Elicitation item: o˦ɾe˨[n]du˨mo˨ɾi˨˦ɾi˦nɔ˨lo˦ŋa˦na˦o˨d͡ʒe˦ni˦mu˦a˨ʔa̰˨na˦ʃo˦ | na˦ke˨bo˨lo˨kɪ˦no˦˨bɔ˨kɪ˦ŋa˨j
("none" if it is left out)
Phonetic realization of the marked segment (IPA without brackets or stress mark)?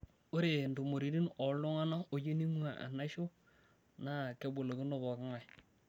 n